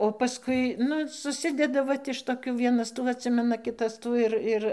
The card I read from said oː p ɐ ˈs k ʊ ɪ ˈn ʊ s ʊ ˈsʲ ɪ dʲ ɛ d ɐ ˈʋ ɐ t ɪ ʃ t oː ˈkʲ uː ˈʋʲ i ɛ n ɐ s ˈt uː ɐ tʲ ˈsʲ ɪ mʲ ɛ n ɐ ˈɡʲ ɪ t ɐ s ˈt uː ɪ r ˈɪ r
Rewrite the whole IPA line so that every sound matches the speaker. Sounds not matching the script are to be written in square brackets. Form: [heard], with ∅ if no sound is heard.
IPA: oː p ɐ ˈs k ʊ ɪ ˈn ʊ s ʊ ˈsʲ ɪ dʲ ɛ d ɐ ˈʋ ɐ t ɪ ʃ t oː ˈkʲ uː ˈʋʲ i ɛ n ɐ s ˈt uː ɐ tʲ ˈsʲ ɪ mʲ ɛ n ɐ [ˈkʲ] ɪ t ɐ s ˈt uː ɪ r ˈɪ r